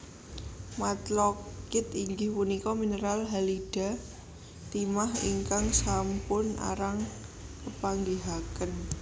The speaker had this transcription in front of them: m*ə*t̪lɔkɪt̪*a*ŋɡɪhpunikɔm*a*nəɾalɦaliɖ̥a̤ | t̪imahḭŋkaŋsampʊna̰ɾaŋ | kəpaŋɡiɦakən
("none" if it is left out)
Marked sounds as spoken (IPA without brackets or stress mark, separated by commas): a, i, i